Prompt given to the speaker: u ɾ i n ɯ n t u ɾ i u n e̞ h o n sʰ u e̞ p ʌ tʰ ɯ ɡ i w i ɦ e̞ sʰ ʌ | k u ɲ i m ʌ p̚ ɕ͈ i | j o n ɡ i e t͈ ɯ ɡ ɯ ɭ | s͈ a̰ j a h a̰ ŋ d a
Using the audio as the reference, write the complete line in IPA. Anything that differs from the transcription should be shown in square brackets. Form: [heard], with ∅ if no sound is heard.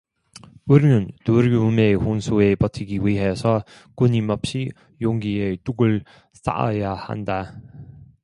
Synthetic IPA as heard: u ɾ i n ɯ n t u ɾ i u [m] e̞ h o n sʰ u e̞ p ʌ tʰ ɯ ɡ i w i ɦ e̞ sʰ ʌ | k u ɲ i m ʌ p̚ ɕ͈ i | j o [ŋ] ɡ i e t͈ [u] ɡ ɯ ɭ | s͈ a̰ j a h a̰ [n] d a